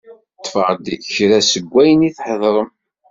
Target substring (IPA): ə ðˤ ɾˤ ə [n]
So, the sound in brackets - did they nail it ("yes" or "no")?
no